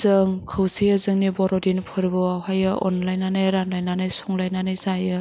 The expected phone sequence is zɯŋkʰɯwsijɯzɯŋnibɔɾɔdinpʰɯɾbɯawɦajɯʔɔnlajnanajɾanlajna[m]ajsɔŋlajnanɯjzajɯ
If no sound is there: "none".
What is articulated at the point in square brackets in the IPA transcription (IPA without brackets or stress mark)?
n